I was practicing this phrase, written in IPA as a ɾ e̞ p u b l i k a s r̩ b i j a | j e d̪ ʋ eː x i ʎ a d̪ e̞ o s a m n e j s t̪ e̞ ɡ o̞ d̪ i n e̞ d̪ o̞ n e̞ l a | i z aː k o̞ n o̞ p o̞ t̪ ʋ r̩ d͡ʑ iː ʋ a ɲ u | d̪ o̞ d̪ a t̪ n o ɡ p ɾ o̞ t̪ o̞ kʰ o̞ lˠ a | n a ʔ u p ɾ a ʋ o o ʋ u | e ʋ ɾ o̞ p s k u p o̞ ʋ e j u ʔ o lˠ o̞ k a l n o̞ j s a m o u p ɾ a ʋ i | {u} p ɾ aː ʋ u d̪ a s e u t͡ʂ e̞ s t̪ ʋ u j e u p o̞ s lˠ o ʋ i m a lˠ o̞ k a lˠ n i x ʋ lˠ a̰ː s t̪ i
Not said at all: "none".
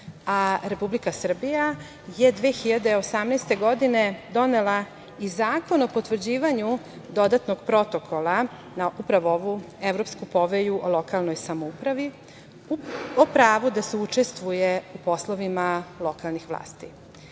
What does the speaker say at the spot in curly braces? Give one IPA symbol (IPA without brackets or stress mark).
o